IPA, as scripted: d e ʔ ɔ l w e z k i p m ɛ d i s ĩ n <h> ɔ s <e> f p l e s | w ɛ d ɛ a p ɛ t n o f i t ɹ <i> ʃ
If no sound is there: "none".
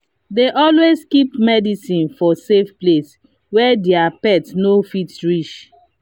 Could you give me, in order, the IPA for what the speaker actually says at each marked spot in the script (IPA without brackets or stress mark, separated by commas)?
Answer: f, e, i